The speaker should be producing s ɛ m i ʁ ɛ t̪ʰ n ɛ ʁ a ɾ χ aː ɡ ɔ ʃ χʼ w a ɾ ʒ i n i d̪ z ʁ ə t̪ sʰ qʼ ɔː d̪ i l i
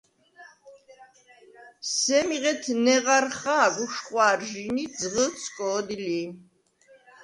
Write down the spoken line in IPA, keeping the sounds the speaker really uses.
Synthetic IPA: s ɛ m i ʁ ɛ t̪ʰ n ɛ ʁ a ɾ χ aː ɡ u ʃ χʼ w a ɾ ʒ i n i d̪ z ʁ ə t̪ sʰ kʼ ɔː d̪ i l i